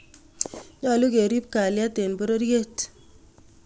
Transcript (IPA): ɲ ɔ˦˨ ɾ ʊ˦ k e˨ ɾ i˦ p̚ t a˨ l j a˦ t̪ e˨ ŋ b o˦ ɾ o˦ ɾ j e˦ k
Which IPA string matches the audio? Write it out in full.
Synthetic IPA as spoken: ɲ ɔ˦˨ l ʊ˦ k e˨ ɾ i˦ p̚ k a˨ l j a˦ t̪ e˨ n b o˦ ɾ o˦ ɾ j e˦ t